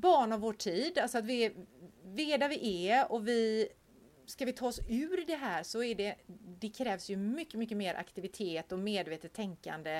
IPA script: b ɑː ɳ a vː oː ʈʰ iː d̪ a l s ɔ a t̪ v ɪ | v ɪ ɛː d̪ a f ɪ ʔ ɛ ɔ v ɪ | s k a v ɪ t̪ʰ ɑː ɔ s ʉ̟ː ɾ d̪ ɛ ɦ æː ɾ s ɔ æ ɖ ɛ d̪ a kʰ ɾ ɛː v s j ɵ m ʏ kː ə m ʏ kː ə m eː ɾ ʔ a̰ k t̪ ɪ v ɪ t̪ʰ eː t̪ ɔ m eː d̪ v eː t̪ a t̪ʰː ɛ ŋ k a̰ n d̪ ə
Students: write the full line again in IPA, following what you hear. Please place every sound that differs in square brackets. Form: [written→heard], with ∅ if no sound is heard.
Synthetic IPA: b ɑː ɳ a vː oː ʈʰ iː d̪ a l s ɔ a t̪ v ɪ | v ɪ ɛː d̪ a [f→v] ɪ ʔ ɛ ɔ v ɪ | s k a v ɪ t̪ʰ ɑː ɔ s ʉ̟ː ɾ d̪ ɛ ɦ æː ɾ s ɔ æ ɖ ɛ d̪ [a→ɛ] kʰ ɾ ɛː v s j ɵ m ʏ kː ə m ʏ kː ə m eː ɾ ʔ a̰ k t̪ ɪ v ɪ t̪ʰ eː t̪ ɔ m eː d̪ v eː t̪ [a→ə] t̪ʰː ɛ ŋ k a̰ n d̪ ə